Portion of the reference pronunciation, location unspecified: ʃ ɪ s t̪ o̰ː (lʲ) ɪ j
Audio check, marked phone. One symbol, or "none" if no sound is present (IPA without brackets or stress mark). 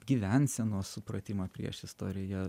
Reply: ɾʲ